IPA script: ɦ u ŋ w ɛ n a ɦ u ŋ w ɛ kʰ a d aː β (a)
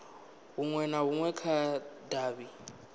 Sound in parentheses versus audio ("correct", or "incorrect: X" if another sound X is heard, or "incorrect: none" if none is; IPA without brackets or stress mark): incorrect: i